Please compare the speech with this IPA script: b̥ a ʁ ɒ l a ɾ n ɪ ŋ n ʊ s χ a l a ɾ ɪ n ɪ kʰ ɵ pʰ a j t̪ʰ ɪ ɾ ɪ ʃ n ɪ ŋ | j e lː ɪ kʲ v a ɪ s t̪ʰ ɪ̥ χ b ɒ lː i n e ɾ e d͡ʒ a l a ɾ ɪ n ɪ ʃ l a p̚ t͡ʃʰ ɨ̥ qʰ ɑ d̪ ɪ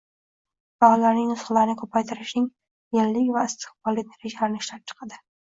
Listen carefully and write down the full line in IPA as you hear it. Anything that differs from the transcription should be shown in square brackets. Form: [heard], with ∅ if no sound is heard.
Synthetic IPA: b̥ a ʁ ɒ l a ɾ n ɪ ŋ n ʊ s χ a l a ɾ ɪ n ɪ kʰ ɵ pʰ a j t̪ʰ ɪ ɾ ɪ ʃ n ɪ ŋ | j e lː ɪ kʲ v a ɪ s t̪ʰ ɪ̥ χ b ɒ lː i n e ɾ e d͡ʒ a l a ɾ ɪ n ɪ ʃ l a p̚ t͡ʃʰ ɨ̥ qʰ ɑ d̪ ɪ